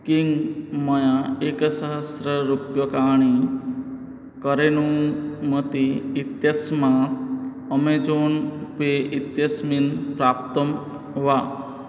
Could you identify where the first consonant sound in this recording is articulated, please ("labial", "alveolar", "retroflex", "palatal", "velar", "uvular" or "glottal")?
velar